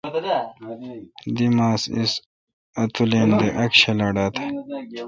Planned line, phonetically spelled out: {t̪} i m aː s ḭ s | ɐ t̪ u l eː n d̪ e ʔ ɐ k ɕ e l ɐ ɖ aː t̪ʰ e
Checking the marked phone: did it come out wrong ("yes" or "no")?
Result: yes